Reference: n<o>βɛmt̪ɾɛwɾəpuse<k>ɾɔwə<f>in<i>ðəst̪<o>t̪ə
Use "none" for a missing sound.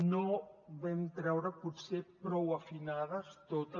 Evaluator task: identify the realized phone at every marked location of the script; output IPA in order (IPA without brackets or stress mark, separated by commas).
o, p, f, a, o